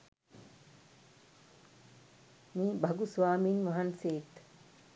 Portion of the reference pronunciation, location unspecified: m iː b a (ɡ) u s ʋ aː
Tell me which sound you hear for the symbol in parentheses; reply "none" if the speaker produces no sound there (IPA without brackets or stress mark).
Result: ɡ